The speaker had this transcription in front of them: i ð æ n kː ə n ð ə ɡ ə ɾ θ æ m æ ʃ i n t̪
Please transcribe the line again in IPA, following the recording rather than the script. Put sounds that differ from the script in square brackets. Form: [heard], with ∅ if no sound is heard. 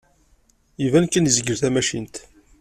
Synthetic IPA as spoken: i [v] æ n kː ə n [z] ə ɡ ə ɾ θ æ m æ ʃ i n t̪